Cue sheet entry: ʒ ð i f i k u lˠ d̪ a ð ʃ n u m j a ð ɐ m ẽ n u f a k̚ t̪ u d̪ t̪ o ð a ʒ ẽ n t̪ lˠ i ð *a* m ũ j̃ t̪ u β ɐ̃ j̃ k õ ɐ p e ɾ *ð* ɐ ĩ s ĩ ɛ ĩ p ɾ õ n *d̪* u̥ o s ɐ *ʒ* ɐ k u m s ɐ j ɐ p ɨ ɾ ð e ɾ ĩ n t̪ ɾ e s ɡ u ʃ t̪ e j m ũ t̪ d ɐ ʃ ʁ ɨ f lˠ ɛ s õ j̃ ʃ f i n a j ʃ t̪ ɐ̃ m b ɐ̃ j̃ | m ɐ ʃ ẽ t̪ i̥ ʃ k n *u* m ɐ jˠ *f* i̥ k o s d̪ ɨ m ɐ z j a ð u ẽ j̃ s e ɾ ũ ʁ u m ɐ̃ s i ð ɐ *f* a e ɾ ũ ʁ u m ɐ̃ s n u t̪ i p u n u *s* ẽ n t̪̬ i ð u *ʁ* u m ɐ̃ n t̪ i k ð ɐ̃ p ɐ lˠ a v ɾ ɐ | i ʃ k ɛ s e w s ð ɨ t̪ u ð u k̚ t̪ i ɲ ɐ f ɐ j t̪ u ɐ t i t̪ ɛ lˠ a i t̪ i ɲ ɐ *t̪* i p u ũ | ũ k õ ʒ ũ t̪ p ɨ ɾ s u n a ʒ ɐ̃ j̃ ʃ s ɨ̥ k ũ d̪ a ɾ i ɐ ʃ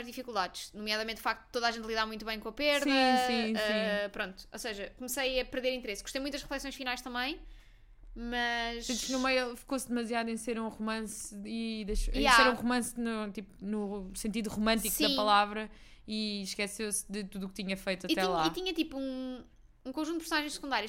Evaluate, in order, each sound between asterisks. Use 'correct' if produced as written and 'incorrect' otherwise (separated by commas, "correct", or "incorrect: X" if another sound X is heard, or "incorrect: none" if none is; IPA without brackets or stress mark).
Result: correct, correct, incorrect: t̪, correct, correct, correct, incorrect: ʃ, correct, correct, correct